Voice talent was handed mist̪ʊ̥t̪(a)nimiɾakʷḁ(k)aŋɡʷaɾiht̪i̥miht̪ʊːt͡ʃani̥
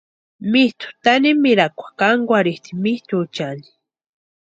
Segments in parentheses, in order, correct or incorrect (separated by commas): correct, correct